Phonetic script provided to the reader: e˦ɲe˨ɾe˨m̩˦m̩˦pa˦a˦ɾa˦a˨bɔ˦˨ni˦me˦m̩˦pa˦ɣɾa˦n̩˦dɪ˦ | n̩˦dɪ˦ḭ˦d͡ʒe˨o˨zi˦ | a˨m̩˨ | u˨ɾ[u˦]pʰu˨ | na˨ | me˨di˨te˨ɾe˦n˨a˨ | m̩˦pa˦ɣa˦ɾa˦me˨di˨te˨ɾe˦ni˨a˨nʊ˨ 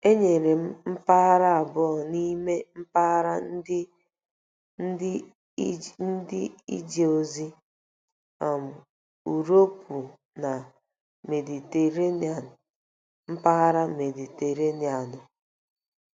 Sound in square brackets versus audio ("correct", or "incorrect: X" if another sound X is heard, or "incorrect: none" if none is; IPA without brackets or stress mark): incorrect: o˦